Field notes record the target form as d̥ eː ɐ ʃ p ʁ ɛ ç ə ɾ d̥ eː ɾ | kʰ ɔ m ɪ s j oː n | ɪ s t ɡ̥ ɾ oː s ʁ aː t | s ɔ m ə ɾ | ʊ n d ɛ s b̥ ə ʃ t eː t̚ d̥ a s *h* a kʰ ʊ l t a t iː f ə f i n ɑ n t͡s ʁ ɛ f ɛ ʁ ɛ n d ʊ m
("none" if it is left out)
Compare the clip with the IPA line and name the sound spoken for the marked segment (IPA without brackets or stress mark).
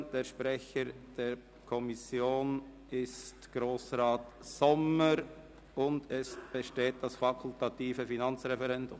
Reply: f